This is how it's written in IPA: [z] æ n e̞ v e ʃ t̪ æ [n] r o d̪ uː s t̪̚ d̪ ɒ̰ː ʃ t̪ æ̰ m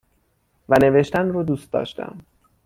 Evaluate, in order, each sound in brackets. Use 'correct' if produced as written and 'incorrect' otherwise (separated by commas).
incorrect, correct